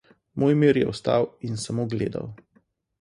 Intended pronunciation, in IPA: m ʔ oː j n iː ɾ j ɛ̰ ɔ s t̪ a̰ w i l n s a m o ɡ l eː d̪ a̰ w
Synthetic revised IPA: m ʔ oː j m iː ɾ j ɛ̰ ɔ s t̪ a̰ w i n s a m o ɡ l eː d̪ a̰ w